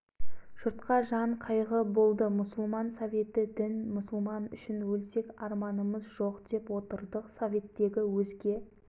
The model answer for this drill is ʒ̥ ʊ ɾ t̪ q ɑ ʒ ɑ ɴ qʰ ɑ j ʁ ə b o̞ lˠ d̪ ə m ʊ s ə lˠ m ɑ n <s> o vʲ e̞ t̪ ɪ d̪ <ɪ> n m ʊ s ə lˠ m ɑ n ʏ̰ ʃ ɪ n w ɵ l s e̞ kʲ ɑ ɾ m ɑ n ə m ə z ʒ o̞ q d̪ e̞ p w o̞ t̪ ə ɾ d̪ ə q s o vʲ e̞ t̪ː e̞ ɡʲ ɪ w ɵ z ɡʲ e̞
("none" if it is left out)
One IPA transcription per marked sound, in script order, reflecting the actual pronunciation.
s, ɪ

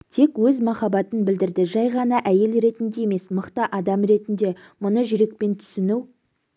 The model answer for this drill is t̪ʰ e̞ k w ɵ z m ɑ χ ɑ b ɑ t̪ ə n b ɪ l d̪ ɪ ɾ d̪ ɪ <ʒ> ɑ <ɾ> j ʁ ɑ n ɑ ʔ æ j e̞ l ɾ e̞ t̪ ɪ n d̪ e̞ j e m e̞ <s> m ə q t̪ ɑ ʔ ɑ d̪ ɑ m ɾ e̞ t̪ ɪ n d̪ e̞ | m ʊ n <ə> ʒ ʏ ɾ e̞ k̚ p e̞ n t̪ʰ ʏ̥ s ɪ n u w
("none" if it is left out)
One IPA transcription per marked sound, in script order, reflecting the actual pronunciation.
ʒ, none, s, ə

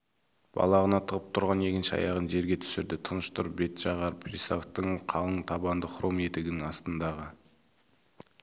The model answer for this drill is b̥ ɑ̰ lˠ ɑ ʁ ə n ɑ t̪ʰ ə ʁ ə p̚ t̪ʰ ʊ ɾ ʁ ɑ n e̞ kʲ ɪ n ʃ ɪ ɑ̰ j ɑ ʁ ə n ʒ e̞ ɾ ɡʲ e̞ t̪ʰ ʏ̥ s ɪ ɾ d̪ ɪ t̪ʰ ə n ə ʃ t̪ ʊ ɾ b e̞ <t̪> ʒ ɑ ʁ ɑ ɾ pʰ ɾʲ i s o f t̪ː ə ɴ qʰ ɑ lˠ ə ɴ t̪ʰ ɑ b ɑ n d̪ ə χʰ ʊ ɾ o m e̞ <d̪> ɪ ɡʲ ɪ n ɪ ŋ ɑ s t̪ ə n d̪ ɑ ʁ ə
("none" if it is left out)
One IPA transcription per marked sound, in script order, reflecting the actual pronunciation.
t̪, t̪

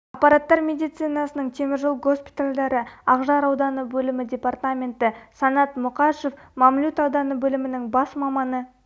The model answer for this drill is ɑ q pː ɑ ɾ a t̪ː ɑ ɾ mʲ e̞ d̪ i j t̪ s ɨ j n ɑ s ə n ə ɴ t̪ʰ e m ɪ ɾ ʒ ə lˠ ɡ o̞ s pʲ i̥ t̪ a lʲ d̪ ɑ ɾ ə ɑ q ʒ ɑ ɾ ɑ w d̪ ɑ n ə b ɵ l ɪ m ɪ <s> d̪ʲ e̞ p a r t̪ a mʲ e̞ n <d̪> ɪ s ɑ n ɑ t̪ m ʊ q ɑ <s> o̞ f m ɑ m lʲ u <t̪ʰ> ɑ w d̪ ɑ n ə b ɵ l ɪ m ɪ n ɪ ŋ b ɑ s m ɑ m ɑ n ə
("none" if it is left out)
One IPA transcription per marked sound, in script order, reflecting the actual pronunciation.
none, t̪, ʃ, t̪

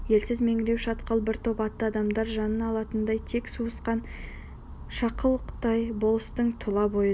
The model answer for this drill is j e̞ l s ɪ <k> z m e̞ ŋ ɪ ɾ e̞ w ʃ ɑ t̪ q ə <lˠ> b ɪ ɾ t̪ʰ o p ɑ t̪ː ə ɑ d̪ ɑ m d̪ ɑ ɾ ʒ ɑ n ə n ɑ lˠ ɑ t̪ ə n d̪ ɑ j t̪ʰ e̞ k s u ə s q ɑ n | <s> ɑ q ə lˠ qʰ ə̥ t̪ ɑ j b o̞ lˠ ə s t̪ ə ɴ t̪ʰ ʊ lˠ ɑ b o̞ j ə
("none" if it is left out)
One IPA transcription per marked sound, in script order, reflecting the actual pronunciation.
none, lˠ, ʃ

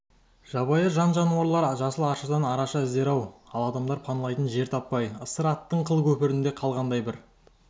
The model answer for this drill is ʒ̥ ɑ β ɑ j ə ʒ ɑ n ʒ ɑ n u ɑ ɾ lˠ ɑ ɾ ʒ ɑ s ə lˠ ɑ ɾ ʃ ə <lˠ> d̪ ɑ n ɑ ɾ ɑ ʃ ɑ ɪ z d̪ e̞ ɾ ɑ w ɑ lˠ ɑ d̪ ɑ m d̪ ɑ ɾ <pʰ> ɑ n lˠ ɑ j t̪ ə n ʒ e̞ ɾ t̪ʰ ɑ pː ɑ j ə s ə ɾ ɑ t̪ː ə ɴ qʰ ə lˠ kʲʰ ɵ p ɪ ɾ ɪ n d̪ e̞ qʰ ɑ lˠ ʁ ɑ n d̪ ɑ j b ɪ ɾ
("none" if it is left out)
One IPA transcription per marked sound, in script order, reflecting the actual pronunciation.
none, pʰ

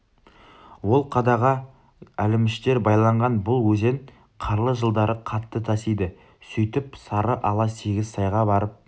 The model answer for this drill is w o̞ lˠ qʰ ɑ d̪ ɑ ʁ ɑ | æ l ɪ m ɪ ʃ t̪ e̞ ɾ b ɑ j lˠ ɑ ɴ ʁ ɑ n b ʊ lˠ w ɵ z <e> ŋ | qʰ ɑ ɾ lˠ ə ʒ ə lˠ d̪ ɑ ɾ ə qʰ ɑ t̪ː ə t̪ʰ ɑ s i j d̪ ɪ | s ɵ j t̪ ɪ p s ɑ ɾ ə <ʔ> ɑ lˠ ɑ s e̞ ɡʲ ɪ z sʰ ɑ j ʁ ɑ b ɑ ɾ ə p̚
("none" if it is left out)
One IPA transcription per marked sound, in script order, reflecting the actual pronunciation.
e, ʔ

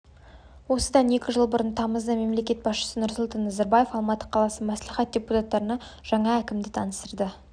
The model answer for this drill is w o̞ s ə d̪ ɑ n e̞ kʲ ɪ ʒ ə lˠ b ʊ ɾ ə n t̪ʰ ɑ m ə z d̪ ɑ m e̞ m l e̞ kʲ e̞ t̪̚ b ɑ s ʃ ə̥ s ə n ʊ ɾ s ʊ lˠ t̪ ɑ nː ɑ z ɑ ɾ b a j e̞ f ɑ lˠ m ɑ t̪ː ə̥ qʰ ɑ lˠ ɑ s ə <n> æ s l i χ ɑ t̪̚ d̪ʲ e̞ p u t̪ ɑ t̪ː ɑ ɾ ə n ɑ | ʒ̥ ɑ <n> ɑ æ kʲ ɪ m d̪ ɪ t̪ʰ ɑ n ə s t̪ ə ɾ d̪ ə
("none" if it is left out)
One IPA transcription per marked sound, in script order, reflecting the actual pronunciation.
m, ɴ

